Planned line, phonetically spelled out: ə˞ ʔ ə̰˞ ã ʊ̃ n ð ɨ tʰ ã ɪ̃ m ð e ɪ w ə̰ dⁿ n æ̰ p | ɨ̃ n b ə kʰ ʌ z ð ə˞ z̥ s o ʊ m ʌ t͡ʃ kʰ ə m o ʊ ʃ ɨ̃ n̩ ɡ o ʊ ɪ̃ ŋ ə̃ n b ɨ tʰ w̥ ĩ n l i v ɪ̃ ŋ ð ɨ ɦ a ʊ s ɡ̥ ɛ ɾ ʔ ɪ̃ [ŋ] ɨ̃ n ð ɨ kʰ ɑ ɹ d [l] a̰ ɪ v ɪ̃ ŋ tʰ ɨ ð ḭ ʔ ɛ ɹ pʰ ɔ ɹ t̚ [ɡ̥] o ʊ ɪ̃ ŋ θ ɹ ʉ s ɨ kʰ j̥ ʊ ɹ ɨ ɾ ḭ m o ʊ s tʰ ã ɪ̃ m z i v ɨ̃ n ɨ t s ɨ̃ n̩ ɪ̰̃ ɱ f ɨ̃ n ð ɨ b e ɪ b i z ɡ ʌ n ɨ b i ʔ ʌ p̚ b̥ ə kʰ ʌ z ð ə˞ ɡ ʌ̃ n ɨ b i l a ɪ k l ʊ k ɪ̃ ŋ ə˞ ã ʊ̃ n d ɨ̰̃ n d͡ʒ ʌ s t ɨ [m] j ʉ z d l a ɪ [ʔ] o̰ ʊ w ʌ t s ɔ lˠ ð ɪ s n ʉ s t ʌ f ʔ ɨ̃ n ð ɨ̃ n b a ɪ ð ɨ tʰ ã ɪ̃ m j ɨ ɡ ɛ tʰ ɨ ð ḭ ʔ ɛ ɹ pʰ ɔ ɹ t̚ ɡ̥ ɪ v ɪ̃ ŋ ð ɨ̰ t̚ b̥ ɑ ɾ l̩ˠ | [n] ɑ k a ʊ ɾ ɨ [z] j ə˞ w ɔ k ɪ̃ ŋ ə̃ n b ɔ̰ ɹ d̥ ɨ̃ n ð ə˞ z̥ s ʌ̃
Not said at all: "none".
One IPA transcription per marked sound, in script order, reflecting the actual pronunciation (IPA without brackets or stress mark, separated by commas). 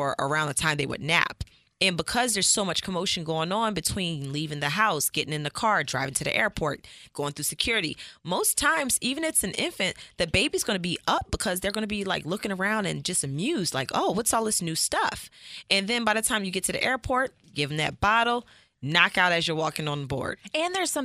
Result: ŋ, ɹ, ɡ̥, m, k, n, z